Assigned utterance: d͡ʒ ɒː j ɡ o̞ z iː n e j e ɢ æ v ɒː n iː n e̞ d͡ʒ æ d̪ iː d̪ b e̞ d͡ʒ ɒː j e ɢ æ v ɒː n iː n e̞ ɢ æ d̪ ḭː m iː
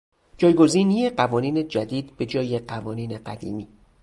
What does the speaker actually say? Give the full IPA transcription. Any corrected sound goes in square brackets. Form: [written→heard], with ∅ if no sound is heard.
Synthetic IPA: d͡ʒ ɒː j ɡ o̞ z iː n [e→i] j e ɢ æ v ɒː n iː n e̞ d͡ʒ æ d̪ iː d̪ b e̞ d͡ʒ ɒː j e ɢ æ v ɒː n iː n e̞ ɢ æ d̪ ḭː m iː